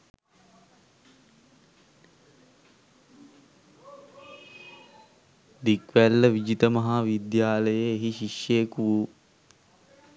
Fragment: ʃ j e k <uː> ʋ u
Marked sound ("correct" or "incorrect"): incorrect